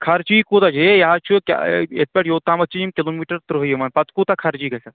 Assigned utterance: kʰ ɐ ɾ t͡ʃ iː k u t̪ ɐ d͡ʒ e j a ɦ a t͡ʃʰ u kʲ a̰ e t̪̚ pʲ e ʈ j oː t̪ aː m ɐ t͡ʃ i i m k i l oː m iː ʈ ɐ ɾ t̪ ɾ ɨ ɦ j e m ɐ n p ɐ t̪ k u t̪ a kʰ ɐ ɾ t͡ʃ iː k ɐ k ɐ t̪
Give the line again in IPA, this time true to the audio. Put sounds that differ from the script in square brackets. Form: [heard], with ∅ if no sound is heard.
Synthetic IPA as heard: kʰ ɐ ɾ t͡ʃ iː k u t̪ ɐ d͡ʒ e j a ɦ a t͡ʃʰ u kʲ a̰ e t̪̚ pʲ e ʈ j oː t̪ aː m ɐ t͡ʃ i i m k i l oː m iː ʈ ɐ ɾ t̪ ɾ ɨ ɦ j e m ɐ n p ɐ t̪ k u t̪ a kʰ ɐ ɾ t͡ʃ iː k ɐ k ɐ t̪